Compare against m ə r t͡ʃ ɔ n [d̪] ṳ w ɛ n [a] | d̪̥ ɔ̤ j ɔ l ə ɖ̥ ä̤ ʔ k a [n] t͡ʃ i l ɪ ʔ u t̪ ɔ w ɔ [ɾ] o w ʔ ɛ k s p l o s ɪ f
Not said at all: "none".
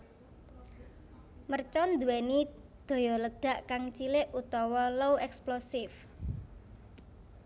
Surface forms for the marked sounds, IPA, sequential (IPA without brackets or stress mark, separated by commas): d̪, i, ŋ, l